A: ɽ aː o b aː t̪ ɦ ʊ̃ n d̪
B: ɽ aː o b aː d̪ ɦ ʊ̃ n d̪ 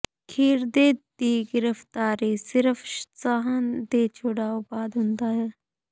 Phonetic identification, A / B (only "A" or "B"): B